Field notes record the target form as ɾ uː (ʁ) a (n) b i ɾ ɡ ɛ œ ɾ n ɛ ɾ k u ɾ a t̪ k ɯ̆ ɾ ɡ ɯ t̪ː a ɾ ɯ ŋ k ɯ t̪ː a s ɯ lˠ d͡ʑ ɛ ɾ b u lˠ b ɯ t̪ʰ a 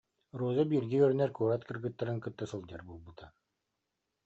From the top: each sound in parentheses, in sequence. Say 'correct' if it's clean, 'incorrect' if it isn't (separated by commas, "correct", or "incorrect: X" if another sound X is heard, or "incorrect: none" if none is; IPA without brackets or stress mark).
incorrect: z, incorrect: none